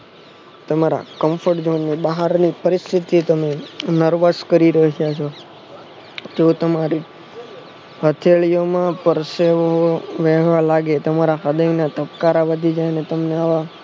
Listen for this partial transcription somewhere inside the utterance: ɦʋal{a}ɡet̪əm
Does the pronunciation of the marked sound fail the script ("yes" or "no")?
no